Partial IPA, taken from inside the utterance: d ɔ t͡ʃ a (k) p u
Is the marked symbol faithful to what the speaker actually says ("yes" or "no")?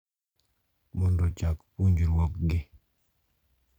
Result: yes